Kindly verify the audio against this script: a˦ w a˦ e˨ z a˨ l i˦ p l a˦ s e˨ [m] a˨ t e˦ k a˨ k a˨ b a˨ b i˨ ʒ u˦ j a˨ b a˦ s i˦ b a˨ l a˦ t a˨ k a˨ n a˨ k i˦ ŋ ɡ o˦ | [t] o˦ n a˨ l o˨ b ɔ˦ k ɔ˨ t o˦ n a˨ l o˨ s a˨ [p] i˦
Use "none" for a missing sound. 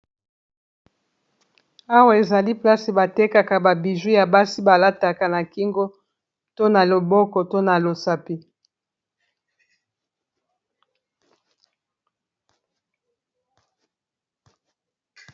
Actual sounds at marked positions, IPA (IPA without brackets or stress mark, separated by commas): b, t, p